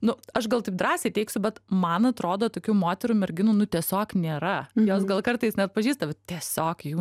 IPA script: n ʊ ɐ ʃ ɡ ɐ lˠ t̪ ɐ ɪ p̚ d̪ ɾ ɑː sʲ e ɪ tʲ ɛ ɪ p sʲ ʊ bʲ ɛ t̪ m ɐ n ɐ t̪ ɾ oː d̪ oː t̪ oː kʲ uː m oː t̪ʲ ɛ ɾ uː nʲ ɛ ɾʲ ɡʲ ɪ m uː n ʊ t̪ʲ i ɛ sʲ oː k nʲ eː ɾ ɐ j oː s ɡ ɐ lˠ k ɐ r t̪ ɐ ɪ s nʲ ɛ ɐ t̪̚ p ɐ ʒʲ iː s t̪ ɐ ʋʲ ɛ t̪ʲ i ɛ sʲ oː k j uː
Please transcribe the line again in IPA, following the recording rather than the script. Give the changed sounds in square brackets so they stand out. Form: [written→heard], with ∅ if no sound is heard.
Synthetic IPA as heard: n ʊ ɐ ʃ ɡ ɐ lˠ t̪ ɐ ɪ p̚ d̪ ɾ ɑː sʲ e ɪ tʲ ɛ ɪ [p→k] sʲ ʊ bʲ ɛ t̪ m ɐ n ɐ t̪ ɾ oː d̪ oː t̪ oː kʲ uː m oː t̪ʲ ɛ ɾ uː [nʲ→mʲ] ɛ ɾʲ ɡʲ ɪ [m→n] uː n ʊ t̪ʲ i ɛ sʲ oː k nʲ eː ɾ ɐ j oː s ɡ ɐ lˠ k ɐ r t̪ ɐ ɪ s nʲ ɛ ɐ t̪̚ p ɐ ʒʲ iː s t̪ ɐ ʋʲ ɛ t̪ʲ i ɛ sʲ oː k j uː